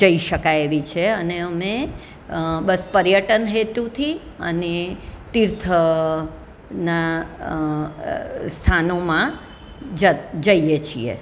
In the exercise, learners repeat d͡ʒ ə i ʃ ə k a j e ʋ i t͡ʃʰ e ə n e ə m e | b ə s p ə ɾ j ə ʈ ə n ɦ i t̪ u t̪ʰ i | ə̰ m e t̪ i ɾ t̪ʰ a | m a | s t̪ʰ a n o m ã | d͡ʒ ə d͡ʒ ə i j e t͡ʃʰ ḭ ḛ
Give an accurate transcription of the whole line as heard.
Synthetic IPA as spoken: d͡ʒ ə i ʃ ə k a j e ʋ i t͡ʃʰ e ə n e ə m e | b ə s p ə ɾ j ə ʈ ə n ɦ e t̪ u t̪ʰ i | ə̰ n e t̪ i ɾ t̪ʰ ə | n a | s t̪ʰ a n o m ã | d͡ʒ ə d͡ʒ ə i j e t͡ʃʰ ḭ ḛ